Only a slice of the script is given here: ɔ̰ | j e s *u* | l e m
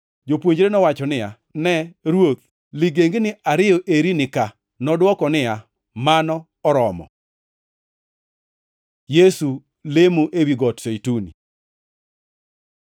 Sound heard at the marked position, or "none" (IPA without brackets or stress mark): u